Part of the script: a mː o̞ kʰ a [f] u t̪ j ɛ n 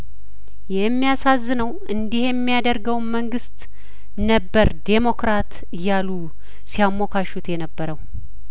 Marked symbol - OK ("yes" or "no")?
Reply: no